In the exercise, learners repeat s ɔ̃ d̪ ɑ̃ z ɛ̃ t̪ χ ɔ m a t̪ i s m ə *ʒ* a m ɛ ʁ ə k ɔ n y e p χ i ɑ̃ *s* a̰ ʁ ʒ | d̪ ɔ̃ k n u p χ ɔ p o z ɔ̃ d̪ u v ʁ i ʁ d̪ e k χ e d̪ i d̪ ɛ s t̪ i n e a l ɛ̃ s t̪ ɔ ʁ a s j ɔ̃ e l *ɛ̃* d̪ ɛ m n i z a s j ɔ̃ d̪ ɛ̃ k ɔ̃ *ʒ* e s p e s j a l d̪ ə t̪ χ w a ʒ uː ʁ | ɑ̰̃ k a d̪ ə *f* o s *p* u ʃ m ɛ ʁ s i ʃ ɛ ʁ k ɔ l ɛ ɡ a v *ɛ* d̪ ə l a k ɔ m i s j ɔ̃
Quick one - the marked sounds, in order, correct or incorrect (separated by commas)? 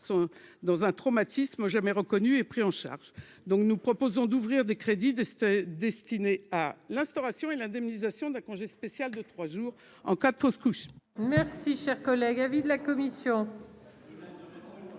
correct, incorrect, correct, correct, correct, incorrect, incorrect